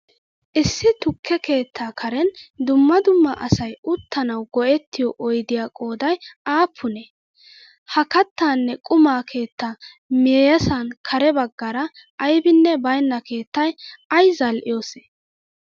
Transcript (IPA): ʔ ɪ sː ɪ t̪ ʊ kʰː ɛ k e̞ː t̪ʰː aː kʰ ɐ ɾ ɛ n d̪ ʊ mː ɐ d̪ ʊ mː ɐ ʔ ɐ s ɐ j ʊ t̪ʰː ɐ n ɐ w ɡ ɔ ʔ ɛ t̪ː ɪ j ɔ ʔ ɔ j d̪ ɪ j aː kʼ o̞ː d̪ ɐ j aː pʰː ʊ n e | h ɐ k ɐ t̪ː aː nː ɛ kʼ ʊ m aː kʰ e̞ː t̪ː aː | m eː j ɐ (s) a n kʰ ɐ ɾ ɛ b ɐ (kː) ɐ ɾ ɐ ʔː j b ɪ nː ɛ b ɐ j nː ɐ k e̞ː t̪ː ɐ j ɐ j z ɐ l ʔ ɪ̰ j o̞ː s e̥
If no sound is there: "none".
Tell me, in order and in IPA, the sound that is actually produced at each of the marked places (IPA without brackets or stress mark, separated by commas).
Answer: s, ɡː